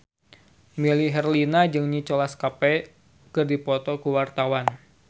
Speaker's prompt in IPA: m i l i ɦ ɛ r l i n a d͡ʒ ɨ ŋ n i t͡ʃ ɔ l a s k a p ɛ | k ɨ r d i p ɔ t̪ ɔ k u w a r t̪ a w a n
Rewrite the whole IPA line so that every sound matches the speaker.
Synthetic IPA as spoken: m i l i ɦ ɛ r l i n a d͡ʒ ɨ ŋ ɲ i t͡ʃ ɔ l a s k a p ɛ | k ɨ r d i p ɔ t̪ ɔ k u w a r t̪ a w a n